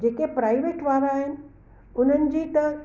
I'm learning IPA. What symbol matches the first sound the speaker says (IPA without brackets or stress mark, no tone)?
d͡ʑ